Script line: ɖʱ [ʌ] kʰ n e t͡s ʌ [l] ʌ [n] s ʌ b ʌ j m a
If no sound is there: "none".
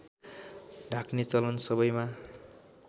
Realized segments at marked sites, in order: a, l, n

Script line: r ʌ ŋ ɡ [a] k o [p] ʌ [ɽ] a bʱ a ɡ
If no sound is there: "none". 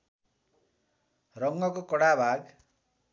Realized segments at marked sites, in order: ʌ, k, ɽ

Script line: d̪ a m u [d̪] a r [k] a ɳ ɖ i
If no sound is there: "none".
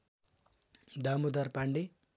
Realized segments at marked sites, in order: d̪, p

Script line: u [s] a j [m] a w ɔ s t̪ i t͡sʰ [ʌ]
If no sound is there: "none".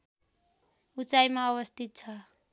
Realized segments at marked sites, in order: t͡s, m, a

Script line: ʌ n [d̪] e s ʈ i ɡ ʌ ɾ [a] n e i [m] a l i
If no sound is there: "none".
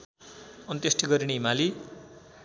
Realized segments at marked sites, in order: t̪, i, m

